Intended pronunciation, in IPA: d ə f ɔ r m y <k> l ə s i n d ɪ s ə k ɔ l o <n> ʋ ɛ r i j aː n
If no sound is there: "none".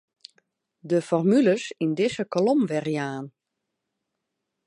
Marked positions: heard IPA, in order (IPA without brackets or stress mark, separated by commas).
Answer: none, m